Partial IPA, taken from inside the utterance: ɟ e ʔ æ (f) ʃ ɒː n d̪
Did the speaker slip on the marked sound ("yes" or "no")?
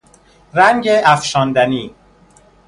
no